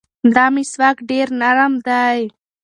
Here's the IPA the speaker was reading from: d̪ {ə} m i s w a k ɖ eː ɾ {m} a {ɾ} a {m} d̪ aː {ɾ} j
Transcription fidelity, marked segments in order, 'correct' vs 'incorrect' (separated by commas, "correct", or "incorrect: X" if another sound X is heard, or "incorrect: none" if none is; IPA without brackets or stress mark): incorrect: a, incorrect: n, correct, correct, incorrect: none